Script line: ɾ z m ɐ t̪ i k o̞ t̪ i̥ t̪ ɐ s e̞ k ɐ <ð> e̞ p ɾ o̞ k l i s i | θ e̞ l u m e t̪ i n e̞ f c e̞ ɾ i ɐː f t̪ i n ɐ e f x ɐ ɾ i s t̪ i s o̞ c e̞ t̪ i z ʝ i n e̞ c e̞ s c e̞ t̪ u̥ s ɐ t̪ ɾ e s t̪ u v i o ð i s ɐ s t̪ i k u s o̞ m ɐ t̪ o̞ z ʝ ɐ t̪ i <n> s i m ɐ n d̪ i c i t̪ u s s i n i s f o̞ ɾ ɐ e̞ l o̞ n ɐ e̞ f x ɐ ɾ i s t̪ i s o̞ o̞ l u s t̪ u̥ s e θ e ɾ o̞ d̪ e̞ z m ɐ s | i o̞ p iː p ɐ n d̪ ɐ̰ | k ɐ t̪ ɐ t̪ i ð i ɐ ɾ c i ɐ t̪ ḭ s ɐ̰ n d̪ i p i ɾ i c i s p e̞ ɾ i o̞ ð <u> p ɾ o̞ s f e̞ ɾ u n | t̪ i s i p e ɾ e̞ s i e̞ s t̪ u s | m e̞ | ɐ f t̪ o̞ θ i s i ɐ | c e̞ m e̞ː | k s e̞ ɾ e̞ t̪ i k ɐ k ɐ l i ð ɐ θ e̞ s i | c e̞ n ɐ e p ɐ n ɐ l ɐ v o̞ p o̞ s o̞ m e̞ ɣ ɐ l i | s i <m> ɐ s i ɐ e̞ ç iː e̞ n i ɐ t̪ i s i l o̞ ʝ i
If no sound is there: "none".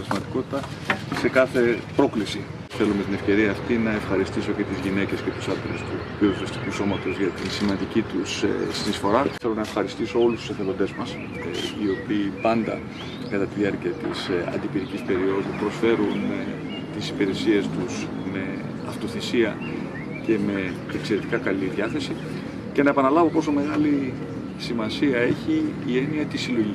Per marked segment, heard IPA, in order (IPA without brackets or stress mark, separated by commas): θ, n, u, m